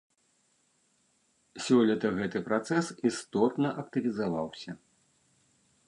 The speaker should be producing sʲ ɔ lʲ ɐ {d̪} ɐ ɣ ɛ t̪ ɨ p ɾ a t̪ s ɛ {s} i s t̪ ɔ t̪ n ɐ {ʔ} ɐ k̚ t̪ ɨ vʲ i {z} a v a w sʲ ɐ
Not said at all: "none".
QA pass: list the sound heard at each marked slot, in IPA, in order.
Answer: t̪, s, ʔ, z

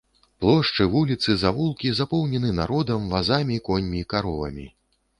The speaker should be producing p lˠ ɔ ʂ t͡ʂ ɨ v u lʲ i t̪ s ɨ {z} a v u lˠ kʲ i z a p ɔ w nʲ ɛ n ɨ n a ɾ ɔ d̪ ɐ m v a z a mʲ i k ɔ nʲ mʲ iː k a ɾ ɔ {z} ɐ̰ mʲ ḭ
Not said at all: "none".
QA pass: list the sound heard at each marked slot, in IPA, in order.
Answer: z, v

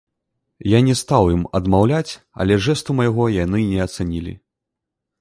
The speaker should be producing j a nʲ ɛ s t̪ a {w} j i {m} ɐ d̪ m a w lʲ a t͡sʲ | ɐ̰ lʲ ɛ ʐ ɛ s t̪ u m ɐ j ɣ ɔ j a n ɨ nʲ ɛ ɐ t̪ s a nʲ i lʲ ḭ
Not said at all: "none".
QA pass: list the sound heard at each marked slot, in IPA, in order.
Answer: w, m

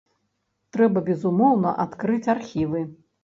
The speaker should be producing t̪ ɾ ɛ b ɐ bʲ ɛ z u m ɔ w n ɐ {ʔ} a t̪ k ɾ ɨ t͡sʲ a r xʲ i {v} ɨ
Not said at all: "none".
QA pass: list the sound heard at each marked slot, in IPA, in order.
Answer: ʔ, v

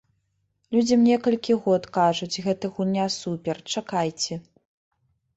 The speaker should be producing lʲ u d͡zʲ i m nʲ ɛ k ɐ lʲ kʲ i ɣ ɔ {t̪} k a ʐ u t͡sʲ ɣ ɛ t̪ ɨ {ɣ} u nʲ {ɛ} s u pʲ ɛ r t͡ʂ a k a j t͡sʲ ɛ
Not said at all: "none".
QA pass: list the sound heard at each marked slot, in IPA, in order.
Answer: t̪, ɣ, a

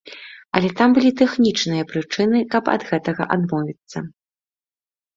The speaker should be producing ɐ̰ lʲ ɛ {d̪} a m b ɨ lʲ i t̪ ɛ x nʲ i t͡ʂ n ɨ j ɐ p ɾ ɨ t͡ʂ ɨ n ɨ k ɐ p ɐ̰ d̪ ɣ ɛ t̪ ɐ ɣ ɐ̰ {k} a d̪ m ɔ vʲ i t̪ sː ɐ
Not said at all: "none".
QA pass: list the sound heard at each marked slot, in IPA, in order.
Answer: t̪, ʔ

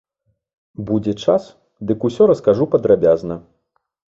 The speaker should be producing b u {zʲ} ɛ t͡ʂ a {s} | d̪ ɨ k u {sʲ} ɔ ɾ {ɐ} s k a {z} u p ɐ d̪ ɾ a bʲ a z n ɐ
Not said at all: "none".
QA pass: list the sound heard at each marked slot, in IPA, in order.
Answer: d͡zʲ, s, sʲ, ɐ, ʐ

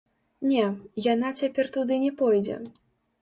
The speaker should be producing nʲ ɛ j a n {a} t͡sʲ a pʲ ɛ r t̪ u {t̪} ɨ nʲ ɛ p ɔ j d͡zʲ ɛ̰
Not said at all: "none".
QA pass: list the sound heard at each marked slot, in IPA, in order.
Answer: a, d̪

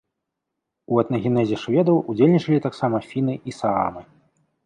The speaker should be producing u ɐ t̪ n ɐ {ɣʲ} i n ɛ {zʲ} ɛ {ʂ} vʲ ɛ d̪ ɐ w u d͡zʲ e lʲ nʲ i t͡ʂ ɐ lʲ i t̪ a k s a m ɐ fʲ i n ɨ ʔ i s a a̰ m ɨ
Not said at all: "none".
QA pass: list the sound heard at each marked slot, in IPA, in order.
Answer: ɣʲ, zʲ, ʂ

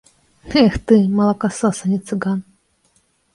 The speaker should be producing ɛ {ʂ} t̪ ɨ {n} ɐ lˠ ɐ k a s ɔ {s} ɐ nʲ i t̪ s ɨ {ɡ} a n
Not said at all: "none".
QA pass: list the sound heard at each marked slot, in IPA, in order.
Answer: x, m, s, ɡ

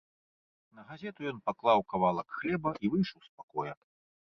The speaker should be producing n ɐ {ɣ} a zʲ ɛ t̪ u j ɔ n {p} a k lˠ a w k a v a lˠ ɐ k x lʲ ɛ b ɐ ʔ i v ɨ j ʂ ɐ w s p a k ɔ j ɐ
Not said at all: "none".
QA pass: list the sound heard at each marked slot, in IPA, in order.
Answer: ɣ, p

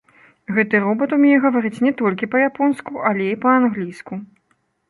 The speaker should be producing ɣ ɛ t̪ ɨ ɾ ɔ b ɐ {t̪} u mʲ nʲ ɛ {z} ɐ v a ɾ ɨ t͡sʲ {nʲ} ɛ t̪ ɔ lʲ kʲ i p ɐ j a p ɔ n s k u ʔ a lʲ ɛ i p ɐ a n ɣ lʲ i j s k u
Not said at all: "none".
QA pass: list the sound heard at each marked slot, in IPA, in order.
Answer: t̪, ɣ, nʲ

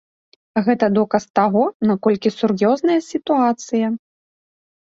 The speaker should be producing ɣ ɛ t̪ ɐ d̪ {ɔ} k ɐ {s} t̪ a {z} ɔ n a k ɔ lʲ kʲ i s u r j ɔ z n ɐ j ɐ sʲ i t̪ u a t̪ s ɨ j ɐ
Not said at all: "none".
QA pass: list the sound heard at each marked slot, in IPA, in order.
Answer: ɔ, s, ɣ

